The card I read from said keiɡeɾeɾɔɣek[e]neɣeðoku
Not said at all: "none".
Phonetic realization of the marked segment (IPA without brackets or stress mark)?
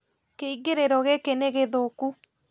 e